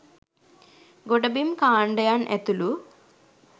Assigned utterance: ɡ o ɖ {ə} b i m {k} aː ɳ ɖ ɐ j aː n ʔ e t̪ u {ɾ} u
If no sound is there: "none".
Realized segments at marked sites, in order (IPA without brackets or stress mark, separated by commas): ɐ, k, l